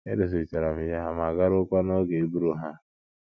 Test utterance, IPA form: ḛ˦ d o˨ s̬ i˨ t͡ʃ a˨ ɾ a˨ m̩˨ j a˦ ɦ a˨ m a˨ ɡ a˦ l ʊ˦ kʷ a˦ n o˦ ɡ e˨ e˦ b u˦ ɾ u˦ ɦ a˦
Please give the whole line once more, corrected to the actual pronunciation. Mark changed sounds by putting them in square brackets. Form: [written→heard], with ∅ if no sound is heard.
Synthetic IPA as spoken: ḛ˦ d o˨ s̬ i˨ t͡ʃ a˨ ɾ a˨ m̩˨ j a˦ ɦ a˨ m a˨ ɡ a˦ [l→ɾ] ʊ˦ kʷ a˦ n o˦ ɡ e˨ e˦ b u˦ ɾ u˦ ɦ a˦